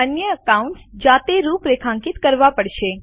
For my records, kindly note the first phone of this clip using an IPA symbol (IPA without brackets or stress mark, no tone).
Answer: ə